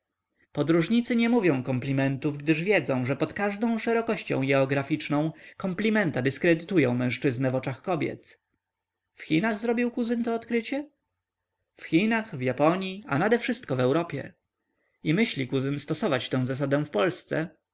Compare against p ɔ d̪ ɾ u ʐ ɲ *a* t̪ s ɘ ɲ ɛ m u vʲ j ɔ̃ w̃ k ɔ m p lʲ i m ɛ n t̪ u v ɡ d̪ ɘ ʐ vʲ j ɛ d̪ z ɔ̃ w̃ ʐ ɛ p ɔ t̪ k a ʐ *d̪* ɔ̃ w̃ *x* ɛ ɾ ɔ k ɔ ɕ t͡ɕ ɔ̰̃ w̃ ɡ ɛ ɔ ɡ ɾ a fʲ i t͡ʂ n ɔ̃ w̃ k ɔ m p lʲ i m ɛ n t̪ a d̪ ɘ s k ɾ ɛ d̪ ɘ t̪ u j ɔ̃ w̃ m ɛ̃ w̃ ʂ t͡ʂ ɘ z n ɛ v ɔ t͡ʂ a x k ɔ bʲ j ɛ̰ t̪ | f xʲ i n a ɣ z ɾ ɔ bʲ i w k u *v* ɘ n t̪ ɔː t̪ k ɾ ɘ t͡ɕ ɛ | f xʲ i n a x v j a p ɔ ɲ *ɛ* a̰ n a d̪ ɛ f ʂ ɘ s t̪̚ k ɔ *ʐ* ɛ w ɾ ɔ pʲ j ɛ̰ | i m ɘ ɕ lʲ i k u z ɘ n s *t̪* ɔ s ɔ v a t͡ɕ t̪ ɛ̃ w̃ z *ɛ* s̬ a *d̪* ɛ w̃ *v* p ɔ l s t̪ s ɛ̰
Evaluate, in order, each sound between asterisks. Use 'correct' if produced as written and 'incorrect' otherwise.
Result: incorrect, correct, incorrect, incorrect, incorrect, incorrect, correct, incorrect, correct, incorrect

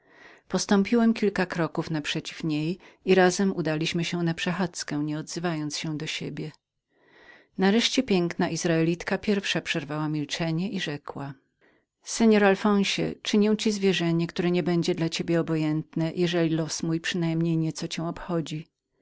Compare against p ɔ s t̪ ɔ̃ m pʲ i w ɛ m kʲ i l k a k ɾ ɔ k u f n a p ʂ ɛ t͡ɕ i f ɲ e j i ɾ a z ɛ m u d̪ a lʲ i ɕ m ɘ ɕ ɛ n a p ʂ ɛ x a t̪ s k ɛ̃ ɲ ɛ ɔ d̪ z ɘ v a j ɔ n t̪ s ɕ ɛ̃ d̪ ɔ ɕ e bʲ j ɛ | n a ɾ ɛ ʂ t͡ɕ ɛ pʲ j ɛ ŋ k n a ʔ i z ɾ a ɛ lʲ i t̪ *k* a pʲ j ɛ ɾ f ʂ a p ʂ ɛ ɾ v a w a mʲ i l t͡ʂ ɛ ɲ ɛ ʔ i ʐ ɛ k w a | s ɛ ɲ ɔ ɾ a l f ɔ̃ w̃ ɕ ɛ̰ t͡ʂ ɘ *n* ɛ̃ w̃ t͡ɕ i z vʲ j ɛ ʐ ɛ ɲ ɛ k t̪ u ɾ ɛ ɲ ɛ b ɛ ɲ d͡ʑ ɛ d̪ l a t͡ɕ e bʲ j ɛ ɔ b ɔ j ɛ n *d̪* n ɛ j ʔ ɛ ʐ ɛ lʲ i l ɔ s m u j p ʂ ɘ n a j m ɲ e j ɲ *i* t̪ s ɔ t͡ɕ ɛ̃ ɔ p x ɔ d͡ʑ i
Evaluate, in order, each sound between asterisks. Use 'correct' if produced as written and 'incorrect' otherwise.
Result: correct, incorrect, incorrect, incorrect

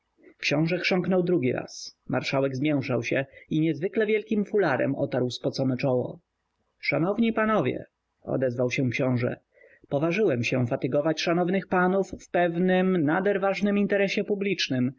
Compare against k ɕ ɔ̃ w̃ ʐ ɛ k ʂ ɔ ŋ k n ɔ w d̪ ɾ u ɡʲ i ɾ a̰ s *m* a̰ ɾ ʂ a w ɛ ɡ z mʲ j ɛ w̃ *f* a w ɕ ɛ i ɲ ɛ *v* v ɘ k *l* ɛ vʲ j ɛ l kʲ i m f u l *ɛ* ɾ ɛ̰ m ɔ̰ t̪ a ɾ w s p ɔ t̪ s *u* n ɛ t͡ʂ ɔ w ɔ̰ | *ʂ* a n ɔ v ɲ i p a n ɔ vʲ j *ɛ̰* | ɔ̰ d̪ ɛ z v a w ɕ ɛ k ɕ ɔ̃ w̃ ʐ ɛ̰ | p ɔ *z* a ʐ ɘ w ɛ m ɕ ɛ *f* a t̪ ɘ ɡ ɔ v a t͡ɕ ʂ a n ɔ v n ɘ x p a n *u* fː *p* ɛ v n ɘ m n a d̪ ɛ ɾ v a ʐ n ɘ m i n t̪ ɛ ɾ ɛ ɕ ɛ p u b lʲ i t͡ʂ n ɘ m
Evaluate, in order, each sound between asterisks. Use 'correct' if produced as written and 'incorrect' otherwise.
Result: correct, incorrect, incorrect, correct, incorrect, incorrect, correct, correct, incorrect, correct, correct, correct

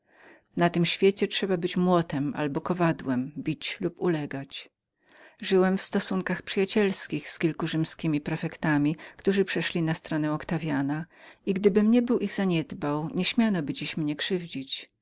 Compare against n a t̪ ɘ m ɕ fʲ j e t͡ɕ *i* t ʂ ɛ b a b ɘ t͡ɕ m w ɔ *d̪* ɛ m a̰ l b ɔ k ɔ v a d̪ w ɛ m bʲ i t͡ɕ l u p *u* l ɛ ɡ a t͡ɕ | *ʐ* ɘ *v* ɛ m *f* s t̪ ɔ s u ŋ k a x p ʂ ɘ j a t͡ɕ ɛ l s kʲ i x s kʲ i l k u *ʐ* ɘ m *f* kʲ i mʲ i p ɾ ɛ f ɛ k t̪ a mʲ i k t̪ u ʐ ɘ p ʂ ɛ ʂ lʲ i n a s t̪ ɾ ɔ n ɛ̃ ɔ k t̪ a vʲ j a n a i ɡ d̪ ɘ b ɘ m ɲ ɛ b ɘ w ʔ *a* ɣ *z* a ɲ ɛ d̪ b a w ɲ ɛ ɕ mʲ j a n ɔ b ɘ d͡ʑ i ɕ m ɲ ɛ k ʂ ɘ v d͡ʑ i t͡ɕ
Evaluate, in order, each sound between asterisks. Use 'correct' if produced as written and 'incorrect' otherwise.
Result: incorrect, incorrect, correct, correct, incorrect, correct, correct, incorrect, incorrect, correct

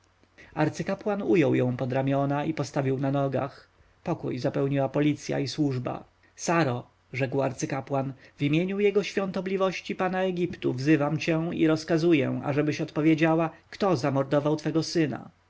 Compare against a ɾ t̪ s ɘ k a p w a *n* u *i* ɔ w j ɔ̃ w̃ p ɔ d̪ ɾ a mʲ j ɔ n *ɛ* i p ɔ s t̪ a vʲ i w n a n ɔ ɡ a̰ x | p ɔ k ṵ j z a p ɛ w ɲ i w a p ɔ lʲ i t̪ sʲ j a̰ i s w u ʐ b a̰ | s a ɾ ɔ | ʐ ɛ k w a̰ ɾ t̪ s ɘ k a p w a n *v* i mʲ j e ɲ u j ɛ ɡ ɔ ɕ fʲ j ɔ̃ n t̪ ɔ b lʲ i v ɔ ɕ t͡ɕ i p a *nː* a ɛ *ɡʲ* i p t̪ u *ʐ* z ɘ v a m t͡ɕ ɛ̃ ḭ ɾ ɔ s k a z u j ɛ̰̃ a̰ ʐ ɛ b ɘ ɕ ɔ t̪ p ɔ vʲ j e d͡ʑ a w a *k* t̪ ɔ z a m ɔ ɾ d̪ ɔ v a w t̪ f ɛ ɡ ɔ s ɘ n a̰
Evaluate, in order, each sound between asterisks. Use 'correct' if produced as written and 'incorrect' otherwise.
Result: correct, incorrect, incorrect, correct, incorrect, correct, incorrect, correct

